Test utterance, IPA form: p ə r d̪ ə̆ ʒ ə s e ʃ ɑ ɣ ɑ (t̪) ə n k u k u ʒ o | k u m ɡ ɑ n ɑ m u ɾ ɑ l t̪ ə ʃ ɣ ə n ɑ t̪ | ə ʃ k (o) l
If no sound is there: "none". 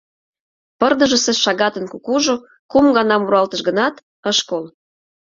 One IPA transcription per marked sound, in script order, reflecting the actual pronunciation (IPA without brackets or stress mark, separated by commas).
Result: t̪, o